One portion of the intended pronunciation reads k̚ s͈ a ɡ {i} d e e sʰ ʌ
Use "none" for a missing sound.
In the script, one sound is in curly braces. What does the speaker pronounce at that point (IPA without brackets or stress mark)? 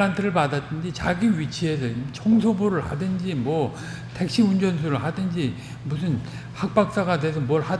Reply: a